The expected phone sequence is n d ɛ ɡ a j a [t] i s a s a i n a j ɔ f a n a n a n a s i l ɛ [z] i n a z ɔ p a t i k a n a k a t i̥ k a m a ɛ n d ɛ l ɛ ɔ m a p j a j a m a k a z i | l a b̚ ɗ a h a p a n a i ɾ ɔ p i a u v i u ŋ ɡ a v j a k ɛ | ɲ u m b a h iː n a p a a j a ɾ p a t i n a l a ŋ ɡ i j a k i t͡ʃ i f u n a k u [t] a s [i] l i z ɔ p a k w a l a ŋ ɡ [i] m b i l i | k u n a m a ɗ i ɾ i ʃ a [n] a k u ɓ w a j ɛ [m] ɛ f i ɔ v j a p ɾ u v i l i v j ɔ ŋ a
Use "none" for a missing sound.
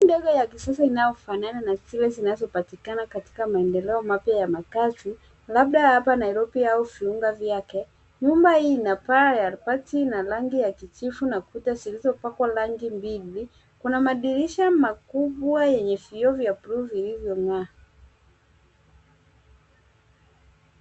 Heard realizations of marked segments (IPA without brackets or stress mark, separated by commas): k, z, t, i, i, m, ɲ